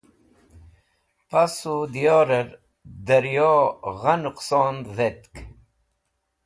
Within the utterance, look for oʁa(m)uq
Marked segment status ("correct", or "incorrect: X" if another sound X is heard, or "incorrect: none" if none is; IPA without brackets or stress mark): incorrect: n